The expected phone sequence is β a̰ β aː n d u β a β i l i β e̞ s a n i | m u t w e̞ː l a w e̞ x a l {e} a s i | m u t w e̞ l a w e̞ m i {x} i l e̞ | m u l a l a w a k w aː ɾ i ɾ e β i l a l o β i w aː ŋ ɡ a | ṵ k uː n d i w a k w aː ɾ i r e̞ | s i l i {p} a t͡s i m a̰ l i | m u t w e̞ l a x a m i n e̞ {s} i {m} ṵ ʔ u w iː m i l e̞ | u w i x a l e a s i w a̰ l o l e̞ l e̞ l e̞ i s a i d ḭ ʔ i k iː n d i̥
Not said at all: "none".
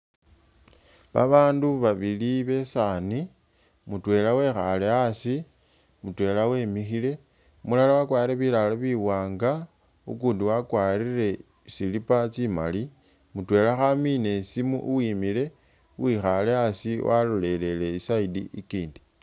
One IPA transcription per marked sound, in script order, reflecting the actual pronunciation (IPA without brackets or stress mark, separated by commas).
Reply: e, x, p, s, m